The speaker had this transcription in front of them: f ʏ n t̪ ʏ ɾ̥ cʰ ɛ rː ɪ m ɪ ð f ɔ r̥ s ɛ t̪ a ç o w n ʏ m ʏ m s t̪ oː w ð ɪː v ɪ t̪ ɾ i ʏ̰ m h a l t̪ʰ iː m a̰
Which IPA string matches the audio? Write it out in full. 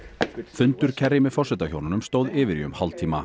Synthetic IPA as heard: f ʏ n t̪ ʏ ɾ̥ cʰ ɛ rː ɪ m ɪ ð f ɔ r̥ s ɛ t̪ a ç o w n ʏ n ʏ m s t̪ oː w ð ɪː v ɪ ɾ i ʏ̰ m h a l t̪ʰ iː m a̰